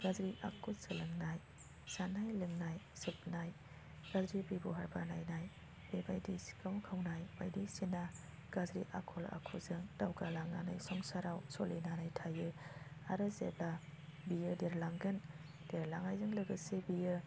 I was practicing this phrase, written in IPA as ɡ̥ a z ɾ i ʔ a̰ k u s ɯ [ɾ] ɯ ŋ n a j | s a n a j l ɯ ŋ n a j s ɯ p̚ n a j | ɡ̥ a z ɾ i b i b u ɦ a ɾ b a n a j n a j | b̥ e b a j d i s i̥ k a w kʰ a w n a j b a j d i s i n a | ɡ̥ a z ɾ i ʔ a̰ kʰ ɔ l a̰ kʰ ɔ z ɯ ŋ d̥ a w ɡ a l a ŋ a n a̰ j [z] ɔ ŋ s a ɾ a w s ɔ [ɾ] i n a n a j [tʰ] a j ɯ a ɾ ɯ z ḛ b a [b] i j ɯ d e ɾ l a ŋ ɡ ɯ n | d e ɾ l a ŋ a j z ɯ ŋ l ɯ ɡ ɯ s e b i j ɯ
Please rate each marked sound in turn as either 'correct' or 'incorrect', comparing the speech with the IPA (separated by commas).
incorrect, incorrect, incorrect, correct, correct